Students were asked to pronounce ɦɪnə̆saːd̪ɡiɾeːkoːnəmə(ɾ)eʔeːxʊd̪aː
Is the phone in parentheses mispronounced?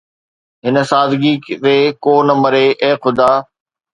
no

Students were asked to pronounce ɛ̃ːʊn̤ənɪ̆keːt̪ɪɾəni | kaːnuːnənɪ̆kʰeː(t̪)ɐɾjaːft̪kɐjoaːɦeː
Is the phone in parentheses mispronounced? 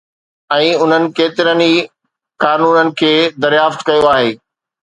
yes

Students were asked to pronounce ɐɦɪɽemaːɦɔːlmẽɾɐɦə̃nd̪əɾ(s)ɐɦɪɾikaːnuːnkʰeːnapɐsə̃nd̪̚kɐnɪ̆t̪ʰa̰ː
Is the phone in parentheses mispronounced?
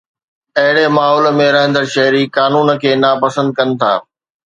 yes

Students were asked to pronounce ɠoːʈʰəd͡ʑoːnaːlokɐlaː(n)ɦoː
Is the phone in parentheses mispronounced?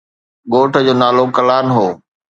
no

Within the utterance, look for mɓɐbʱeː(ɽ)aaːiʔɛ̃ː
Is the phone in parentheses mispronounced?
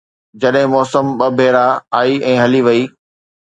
yes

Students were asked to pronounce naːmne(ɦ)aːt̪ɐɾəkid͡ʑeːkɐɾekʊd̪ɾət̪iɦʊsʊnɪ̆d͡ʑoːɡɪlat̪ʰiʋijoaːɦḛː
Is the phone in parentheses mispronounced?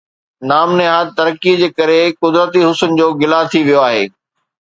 no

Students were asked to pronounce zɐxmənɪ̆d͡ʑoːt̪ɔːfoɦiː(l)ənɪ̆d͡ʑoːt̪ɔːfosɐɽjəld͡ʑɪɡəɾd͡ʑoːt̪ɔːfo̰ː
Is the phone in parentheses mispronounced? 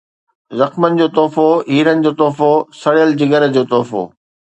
yes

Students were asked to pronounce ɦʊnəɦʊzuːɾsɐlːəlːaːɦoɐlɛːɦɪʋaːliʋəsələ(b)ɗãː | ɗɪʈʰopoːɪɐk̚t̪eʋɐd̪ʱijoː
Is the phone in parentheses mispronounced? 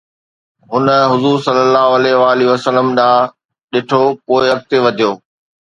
yes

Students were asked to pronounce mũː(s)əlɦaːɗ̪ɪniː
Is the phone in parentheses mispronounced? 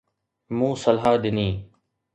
no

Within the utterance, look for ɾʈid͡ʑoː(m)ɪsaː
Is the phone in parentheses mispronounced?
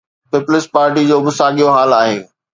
yes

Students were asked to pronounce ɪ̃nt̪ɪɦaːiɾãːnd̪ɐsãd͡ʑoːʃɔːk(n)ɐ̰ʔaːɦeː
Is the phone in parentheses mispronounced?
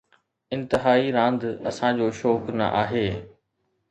no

